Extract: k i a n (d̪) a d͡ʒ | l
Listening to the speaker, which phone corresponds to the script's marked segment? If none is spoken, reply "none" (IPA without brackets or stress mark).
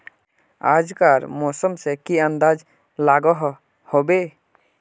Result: d̪